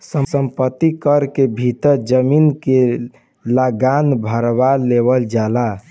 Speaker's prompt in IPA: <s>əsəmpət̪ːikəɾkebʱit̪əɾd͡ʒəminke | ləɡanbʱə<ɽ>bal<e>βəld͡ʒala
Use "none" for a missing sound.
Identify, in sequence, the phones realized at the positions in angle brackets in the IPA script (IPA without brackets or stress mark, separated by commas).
s, ɾ, e